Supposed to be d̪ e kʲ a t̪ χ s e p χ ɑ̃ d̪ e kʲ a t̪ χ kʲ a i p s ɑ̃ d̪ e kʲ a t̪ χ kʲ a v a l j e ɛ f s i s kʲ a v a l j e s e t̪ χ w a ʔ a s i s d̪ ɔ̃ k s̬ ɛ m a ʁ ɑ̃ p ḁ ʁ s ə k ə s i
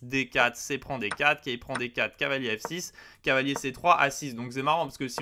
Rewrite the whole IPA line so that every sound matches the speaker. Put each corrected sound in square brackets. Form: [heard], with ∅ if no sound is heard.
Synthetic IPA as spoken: d̪ e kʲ a t̪ χ s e p χ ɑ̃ d̪ e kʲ a t̪ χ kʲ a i p [χ] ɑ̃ d̪ e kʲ a t̪ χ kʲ a v a l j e ɛ f s i s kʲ a v a l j e s e t̪ χ w a ʔ a s i s d̪ ɔ̃ k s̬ ɛ m a ʁ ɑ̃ p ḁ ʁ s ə k ə s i